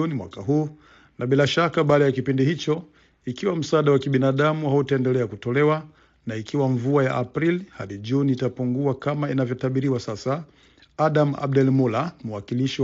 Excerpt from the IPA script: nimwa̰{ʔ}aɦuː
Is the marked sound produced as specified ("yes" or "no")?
no